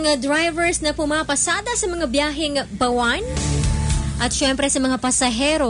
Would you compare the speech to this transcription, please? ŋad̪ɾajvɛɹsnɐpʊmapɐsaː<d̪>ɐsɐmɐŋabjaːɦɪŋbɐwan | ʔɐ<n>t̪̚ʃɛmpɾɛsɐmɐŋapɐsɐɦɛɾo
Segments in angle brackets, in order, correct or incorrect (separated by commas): correct, incorrect